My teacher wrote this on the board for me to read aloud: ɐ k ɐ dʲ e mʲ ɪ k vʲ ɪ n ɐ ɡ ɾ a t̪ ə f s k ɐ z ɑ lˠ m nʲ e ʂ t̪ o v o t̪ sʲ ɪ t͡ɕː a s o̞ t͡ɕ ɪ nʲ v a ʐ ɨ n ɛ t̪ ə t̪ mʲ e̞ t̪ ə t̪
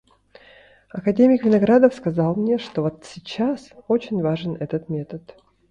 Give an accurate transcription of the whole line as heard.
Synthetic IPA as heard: ɐ k ɐ dʲ e mʲ ɪ k vʲ ɪ n ɐ ɡ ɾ a d̪ ə f s k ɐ z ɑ lˠ m nʲ e ʂ t̪ o v o t̪ sʲ ɪ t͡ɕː a s o̞ t͡ɕ ɪ nʲ v a ʐ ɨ n ɛ t̪ ə t̪ mʲ e̞ t̪ ə t̪